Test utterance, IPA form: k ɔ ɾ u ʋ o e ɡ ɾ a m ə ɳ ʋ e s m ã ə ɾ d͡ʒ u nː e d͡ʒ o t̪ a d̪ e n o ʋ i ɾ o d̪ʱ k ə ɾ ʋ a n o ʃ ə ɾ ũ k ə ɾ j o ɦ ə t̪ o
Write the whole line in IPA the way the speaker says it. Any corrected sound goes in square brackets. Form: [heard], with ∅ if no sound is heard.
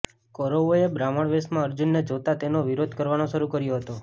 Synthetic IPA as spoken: k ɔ ɾ [o] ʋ o e [b] ɾ a m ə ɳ ʋ e s m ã ə ɾ d͡ʒ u nː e d͡ʒ o t̪ a [t̪] e n o ʋ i ɾ o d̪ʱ k ə ɾ ʋ a n o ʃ ə ɾ [u] k ə ɾ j o ɦ ə t̪ o